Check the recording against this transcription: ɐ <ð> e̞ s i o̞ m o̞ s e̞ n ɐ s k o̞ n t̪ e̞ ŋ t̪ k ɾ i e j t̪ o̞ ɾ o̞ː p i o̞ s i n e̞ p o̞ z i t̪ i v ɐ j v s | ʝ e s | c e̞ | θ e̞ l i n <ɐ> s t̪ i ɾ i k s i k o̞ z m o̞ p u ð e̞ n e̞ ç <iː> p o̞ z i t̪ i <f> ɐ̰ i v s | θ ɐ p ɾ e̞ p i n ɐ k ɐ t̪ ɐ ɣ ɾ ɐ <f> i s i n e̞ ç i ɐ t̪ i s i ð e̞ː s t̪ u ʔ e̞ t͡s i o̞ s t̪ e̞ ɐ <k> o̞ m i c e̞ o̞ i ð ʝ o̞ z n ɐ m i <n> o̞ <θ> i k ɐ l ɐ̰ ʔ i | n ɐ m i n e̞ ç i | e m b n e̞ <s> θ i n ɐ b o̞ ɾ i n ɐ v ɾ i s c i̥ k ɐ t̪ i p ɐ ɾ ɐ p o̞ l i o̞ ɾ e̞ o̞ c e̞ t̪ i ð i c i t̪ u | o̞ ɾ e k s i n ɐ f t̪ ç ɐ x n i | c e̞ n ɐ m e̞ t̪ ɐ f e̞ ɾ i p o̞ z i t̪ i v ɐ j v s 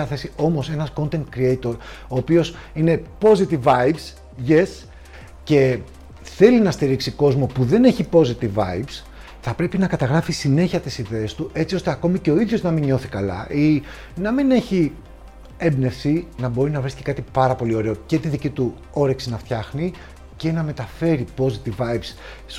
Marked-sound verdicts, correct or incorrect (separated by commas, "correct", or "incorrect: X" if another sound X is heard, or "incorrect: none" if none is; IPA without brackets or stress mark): incorrect: θ, correct, incorrect: i, incorrect: v, correct, correct, incorrect: ɲ, correct, incorrect: f